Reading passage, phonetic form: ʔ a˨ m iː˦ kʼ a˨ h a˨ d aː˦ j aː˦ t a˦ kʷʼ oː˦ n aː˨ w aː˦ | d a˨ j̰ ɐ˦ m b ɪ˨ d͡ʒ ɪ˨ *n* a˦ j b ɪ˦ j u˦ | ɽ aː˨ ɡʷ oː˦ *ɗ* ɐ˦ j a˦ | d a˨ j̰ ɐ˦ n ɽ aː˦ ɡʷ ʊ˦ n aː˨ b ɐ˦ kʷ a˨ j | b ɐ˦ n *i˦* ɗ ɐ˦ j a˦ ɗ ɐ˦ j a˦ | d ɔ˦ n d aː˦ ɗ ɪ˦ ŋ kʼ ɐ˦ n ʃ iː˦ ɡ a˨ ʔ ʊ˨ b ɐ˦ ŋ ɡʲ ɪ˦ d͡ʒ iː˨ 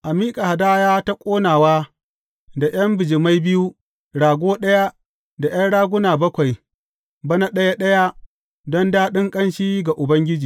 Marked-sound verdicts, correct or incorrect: incorrect, correct, incorrect

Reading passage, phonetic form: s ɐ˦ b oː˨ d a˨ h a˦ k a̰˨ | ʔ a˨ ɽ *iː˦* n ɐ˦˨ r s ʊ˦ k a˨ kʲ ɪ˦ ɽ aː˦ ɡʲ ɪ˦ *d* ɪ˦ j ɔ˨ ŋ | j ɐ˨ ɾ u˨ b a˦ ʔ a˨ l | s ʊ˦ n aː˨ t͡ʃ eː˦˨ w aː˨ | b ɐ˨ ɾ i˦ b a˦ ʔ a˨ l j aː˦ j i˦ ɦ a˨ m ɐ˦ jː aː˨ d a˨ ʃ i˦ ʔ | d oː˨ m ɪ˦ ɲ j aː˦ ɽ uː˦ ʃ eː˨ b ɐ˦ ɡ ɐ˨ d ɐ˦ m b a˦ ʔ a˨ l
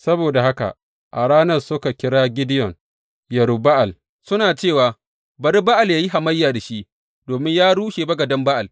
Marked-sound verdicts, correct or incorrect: incorrect, correct

